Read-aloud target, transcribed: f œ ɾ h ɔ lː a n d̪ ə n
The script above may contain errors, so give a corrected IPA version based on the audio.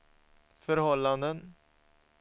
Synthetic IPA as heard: f œ ɾ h ɔ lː a n d̪ ə n